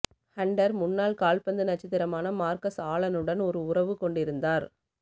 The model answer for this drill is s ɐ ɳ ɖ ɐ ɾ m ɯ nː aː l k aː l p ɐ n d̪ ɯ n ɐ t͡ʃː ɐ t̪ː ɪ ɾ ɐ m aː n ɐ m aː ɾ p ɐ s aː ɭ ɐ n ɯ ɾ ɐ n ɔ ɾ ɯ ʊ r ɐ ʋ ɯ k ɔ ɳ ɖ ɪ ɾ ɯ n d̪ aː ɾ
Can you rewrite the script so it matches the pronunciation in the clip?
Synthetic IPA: h ɐ ɳ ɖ ɐ ɾ m ʊ nː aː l k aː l p ɐ n d̪ ɯ n ɐ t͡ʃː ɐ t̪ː ɪ ɾ ɐ m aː n ɐ m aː ɾ k ɐ s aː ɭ ɐ n ɯ ɽ ɐ n ɔ ɾ ɯ ʊ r ɐ ʋ ɯ k ɔ ɳ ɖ ɪ ɾ ɯ n d̪ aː ɾ